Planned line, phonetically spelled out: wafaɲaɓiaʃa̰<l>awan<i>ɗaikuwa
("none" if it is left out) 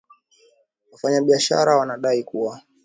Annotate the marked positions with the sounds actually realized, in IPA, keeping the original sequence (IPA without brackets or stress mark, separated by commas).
ɾ, a